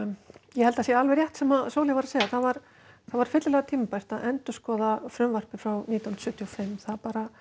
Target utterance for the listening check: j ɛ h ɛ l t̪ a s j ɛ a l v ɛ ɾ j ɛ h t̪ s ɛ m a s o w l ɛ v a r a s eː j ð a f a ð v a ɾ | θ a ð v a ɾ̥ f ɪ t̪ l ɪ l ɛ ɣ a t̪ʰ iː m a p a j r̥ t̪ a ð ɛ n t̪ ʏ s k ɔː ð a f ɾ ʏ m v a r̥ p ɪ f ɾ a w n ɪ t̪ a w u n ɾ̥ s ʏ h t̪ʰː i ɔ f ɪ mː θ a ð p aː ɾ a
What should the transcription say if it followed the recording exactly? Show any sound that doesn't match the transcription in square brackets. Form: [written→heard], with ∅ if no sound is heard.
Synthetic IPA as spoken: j ɛ h ɛ l t̪ a s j ɛ a l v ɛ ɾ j ɛ h t̪ s ɛ m a s o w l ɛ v a [r→ɾ] a s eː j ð a [f→θ] a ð v a ɾ | θ a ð v a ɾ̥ f ɪ t̪ l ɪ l ɛ ɣ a t̪ʰ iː m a p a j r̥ t̪ a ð ɛ n t̪ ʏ s k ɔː ð a f ɾ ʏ m v a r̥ p ɪ f ɾ a w n [ɪ→i] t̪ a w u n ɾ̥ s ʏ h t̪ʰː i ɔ f ɪ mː θ a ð p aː ɾ a